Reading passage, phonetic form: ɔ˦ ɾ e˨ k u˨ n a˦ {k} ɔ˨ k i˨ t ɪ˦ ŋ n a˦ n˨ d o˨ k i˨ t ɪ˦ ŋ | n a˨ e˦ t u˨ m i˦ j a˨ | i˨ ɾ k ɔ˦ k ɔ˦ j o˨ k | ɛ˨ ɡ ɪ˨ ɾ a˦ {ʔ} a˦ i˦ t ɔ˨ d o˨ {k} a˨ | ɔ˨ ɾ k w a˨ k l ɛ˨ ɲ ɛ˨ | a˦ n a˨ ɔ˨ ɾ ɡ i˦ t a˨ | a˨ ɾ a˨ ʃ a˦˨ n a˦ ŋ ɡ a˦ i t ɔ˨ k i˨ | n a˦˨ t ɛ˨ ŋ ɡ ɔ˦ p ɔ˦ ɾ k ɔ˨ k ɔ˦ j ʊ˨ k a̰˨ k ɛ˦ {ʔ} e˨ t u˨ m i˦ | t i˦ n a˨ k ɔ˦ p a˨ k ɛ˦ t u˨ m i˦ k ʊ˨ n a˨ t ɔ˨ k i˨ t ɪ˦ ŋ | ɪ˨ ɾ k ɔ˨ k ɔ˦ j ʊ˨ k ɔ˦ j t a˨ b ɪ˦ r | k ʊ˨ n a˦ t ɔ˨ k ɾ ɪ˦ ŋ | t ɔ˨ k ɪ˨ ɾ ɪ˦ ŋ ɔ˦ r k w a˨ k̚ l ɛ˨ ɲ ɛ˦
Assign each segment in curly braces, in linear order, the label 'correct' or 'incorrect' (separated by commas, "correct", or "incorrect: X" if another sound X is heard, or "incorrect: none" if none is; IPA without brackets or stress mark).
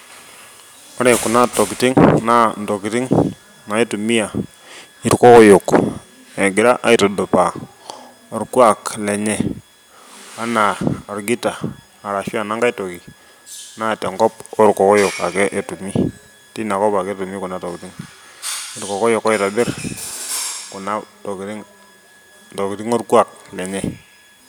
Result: incorrect: t, correct, incorrect: p, correct